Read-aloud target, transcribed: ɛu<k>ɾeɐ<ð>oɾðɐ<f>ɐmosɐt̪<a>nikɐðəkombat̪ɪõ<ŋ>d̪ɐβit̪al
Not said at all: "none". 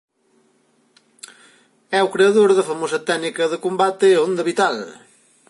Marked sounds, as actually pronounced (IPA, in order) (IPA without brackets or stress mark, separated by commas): k, ð, f, ɛ, n